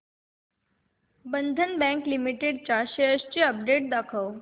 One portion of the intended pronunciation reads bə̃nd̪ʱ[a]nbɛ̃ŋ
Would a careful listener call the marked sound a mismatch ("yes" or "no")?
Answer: yes